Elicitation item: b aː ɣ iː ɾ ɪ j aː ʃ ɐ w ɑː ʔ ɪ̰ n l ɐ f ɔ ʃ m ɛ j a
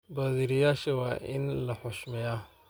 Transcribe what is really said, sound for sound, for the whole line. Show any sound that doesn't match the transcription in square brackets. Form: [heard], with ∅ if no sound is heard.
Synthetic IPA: b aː [ð] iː ɾ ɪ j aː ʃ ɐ w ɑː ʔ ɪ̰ n l ɐ [ħ] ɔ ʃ m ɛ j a